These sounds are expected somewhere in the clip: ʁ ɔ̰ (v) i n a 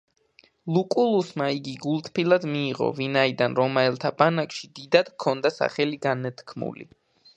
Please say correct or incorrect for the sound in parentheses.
correct